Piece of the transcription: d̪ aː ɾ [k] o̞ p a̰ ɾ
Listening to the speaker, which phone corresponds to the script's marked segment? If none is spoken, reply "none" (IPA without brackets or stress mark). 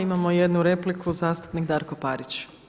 k